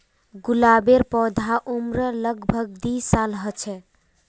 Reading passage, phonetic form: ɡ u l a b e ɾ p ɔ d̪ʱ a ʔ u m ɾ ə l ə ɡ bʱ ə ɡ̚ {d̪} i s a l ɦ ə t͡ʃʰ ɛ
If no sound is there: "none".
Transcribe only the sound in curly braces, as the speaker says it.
d̪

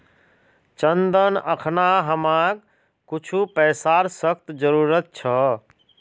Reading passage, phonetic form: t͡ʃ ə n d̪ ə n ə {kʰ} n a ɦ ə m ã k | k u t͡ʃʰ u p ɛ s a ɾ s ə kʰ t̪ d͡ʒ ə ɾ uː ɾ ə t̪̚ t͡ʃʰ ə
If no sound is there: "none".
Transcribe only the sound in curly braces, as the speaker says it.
kʰ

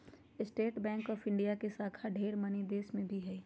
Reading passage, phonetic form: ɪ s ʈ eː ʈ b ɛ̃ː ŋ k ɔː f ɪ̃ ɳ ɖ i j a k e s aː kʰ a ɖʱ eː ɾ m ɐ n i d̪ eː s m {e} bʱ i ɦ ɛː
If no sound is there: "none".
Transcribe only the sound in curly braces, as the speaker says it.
ẽ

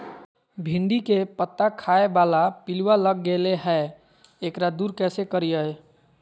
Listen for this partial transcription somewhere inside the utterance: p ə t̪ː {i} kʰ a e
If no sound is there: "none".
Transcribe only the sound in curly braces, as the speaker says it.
a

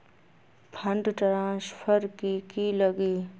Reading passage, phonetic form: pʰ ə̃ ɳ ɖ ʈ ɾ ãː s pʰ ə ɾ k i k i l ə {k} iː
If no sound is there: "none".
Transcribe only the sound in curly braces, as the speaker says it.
ɡ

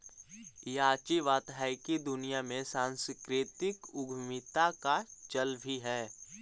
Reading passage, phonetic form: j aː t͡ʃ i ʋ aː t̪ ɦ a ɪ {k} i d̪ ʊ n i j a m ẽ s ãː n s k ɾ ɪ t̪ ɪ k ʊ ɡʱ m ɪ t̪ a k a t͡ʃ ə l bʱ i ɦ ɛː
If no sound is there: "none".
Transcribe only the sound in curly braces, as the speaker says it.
k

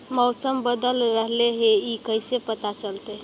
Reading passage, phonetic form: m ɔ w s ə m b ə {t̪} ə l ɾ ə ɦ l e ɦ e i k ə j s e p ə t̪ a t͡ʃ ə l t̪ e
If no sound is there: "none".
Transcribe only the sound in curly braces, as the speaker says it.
d̪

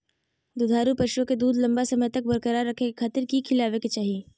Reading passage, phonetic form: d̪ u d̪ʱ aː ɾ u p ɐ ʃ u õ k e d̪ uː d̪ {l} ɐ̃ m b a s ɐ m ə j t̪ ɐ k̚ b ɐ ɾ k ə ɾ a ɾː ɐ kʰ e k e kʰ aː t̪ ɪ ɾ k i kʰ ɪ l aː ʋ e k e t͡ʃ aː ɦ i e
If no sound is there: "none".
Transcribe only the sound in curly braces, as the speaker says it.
l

